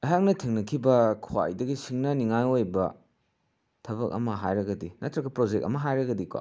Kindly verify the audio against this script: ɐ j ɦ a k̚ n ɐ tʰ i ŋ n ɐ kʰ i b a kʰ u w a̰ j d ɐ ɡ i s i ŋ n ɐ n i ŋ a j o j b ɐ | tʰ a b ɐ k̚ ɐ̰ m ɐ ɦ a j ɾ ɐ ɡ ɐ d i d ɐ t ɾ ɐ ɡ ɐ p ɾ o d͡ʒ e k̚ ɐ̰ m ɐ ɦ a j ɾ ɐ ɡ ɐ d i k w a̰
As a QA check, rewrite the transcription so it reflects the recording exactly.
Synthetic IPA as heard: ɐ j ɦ a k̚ n ɐ tʰ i ŋ n ɐ kʰ i b ɐ kʰ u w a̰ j d ɐ ɡ i s i ŋ n ɐ n i ŋ a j o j b ɐ | tʰ ɐ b ɐ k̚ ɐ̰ m ɐ ɦ a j ɾ ɐ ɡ ɐ d i n ɐ t ɾ ɐ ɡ ɐ p ɾ o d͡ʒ e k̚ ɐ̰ m ɐ ɦ a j ɾ ɐ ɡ ɐ d i k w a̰